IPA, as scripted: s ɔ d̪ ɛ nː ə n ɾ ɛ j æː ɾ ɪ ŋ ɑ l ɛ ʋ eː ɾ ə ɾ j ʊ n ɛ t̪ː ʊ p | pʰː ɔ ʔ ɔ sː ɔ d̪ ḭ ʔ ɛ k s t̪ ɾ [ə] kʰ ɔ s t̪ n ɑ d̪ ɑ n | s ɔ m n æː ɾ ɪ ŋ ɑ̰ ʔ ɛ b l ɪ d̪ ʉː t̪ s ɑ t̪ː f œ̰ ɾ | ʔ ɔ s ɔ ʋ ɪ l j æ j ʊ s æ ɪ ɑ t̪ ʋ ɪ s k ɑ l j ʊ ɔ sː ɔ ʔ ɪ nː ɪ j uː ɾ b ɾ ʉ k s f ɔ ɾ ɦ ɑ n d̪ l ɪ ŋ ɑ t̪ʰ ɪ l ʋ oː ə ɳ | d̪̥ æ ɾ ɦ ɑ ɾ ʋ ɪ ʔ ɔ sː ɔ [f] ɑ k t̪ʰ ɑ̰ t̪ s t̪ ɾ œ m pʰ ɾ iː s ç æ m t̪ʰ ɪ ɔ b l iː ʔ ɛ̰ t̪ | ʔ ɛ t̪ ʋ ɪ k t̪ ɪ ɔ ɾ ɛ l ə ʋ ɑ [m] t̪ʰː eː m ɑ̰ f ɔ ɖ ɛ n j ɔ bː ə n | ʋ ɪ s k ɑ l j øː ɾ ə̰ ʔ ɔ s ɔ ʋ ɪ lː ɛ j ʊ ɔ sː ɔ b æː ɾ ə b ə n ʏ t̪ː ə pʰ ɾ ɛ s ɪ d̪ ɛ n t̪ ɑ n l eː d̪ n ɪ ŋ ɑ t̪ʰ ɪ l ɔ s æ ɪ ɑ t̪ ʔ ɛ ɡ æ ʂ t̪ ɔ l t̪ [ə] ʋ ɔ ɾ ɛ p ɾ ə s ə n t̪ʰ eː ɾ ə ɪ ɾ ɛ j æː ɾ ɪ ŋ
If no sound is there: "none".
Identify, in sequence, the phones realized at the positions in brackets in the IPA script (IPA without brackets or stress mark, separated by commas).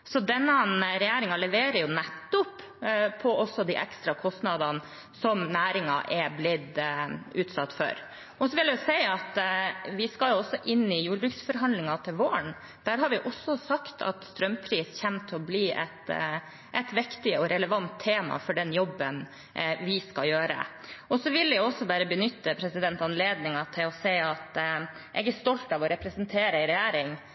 ɑ, s, n, ɑ